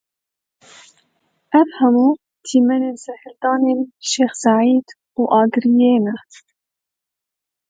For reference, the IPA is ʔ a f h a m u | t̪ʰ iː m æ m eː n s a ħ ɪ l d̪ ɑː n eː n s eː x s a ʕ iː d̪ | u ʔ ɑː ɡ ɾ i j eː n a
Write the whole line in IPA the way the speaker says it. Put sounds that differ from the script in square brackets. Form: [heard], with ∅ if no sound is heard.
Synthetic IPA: ʔ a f h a m u | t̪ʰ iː m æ [n] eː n s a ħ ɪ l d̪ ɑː n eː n [ʃ] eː x s a ʕ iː d̪ | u ʔ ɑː ɡ ɾ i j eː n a